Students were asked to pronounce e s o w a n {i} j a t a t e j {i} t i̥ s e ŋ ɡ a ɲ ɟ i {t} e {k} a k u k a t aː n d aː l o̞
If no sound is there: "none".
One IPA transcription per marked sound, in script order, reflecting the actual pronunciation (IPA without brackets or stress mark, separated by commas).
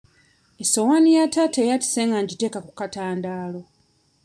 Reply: i, a, t, k